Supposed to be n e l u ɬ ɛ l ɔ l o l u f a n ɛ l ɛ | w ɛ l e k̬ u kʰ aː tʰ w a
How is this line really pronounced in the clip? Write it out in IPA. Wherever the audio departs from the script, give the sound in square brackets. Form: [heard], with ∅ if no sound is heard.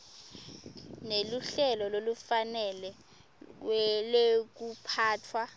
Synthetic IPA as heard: n e l u ɬ ɛ l ɔ l o l u f a n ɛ l ɛ | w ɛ l e k̬ u [pʰ] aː tʰ w a